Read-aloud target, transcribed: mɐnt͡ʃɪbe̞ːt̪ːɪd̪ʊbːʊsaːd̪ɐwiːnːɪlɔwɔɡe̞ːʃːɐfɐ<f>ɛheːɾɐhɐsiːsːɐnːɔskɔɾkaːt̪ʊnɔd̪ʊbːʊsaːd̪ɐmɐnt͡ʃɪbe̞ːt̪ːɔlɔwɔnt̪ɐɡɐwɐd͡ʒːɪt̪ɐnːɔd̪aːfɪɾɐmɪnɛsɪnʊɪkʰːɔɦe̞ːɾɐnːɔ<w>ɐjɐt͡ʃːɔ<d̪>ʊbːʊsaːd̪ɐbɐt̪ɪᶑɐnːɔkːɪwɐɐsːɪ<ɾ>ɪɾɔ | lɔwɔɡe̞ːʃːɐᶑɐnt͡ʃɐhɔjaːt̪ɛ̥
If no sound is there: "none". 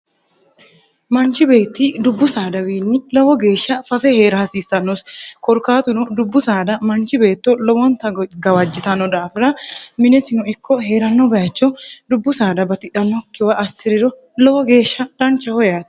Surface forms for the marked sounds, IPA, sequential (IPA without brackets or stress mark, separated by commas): f, b, d̪, ɾ